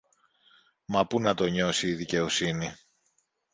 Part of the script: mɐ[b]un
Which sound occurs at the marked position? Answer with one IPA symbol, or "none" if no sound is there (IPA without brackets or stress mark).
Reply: p